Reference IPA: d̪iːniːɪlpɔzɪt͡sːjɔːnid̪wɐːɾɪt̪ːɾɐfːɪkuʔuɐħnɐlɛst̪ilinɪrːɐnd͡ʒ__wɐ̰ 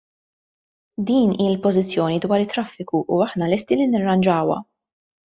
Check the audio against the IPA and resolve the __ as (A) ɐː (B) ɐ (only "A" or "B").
A